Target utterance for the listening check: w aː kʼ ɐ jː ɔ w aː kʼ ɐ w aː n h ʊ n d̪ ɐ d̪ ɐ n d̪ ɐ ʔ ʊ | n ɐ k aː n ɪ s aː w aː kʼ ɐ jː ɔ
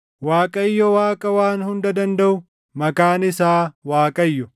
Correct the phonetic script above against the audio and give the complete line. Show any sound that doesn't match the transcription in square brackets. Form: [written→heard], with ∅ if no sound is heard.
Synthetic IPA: w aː kʼ ɐ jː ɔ w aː kʼ ɐ w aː n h ʊ n d̪ ɐ d̪ ɐ n d̪ ɐ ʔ ʊ | [n→m] ɐ k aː n ɪ s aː w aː kʼ ɐ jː ɔ